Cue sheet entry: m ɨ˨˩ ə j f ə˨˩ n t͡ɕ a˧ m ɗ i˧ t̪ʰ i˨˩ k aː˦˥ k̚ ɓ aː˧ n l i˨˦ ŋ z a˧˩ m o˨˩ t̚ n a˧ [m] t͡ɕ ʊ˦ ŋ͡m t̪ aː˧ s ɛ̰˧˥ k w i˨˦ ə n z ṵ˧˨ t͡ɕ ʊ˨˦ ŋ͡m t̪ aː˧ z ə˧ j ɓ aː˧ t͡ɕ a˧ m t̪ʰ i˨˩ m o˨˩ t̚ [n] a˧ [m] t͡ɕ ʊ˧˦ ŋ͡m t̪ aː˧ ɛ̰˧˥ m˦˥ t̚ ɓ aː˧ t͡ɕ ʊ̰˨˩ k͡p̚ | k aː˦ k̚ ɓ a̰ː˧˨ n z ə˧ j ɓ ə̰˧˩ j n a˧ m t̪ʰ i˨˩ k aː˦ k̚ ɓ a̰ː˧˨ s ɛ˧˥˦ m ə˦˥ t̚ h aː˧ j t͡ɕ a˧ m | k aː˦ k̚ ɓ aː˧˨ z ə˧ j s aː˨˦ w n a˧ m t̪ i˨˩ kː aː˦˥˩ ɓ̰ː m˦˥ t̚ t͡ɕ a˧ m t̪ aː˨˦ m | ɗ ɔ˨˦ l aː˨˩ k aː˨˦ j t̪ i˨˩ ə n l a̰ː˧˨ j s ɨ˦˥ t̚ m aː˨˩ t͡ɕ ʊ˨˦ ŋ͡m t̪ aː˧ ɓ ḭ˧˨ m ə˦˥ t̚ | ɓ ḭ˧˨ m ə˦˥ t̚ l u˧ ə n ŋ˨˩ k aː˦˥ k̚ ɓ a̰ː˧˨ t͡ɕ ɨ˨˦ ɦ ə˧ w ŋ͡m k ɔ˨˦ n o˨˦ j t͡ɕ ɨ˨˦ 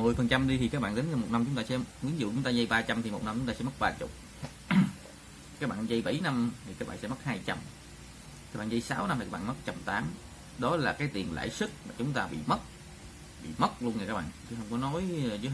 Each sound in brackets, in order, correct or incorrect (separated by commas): correct, correct, correct